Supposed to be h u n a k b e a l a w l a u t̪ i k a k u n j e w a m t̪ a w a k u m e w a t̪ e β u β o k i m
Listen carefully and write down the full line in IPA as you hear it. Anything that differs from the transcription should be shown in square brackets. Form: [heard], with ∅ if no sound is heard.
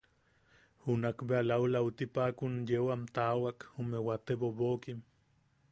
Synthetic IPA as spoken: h u n a k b e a l a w l a u t̪ i [p] a k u n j e w a m t̪ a w a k u m e w a t̪ e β [o] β o k i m